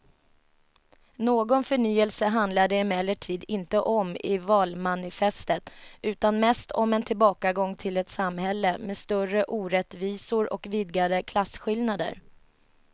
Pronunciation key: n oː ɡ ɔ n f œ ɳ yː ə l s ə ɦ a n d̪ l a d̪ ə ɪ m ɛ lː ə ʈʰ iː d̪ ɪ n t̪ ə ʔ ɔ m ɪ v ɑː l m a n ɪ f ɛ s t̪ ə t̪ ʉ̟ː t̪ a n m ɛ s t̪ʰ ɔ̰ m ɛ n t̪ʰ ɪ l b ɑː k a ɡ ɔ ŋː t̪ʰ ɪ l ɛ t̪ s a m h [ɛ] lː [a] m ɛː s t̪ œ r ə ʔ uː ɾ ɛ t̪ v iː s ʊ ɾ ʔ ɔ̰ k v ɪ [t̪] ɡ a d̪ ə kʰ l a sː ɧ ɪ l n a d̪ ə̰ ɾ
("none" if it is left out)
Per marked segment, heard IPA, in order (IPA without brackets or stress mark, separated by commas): ɛ, ə, d̪